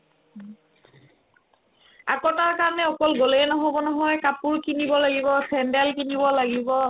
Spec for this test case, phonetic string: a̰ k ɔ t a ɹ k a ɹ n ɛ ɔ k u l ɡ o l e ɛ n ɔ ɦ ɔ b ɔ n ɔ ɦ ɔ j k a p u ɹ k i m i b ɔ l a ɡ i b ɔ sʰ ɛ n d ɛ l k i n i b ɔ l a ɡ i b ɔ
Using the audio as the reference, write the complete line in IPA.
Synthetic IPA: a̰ k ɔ t a ɹ k a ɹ n ɛ ɔ k ɔ l ɡ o l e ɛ n ɔ ɦ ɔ b ɔ n ɔ ɦ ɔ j k a p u ɹ k i n i b ɔ l a ɡ i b ɔ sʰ ɛ n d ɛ l k i n i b ɔ l a ɡ i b ɔ